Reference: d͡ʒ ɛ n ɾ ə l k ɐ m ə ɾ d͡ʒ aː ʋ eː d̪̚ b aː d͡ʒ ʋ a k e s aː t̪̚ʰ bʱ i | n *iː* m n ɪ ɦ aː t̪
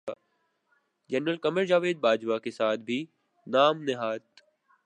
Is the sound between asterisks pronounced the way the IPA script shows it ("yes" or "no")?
no